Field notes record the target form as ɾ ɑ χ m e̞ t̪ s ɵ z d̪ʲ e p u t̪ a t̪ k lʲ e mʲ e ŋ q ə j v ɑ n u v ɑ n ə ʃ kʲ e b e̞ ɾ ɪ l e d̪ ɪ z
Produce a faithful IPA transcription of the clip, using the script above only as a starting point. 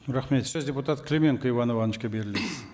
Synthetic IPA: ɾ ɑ χ m e̞ t̪ s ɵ z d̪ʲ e p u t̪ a t̪ k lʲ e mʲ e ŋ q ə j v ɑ n o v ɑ n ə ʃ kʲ e b e̞ ɾ ɪ l e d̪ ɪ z